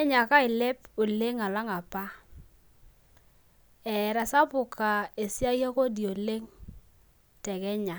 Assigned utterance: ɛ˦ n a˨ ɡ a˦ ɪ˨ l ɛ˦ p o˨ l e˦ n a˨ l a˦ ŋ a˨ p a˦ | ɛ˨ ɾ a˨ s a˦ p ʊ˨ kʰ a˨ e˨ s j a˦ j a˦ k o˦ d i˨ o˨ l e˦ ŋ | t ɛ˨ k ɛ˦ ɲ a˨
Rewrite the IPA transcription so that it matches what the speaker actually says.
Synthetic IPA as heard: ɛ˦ ɲ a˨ k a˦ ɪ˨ l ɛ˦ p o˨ l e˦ ŋ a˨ l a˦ ŋ a˨ p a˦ | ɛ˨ ɾ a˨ s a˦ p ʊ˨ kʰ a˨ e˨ s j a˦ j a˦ k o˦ d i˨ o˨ l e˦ ŋ | t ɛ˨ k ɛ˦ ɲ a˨